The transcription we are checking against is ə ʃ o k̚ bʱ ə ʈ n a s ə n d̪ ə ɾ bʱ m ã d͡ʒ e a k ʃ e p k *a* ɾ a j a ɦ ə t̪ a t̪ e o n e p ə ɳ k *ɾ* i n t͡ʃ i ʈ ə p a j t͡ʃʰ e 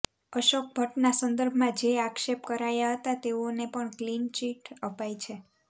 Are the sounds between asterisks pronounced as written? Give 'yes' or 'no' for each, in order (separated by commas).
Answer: no, no